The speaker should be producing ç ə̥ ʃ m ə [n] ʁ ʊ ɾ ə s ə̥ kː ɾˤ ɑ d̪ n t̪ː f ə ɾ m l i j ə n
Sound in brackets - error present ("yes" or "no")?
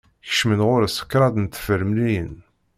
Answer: no